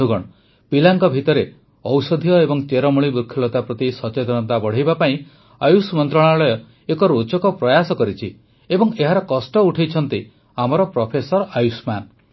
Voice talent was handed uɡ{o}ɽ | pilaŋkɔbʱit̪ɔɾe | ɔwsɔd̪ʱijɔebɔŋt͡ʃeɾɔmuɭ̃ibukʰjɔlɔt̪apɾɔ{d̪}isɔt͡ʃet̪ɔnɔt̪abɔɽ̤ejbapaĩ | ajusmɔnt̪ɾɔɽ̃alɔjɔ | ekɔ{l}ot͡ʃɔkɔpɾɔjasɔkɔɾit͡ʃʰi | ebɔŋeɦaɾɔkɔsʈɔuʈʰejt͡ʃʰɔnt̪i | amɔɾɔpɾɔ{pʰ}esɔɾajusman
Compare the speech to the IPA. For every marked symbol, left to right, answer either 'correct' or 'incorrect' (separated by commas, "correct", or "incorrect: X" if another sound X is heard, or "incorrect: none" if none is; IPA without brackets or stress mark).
incorrect: ɔ, incorrect: t̪, incorrect: ɾ, correct